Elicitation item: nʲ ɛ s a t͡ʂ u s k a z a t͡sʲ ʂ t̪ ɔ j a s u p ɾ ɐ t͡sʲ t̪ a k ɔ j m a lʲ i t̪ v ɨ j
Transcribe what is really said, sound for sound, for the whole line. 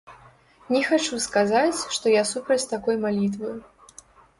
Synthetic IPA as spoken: nʲ ɛ x a t͡ʂ u s k a z a t͡sʲ ʂ t̪ ɔ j a s u p ɾ ɐ t͡sʲ t̪ a k ɔ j m a lʲ i t̪ v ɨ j